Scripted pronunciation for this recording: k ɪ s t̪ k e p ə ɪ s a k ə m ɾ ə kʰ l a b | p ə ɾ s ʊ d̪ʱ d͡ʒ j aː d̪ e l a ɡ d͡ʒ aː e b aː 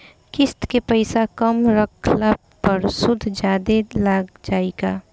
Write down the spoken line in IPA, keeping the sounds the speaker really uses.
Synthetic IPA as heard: k ɪ s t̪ k e p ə ɪ s a k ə m ɾ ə kʰ l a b | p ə ɾ s ʊ d̪ʱ d͡ʒ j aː d̪ e l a ɡ d͡ʒ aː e ɡ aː